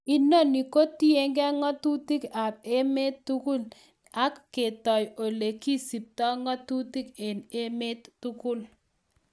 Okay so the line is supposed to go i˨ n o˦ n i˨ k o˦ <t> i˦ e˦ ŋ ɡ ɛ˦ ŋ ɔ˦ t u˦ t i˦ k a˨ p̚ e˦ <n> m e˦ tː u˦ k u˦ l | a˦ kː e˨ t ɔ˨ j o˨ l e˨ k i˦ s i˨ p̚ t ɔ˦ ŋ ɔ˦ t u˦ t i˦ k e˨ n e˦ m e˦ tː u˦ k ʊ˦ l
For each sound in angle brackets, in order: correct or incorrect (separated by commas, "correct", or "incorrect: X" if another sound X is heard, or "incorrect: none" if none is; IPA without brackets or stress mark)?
correct, incorrect: none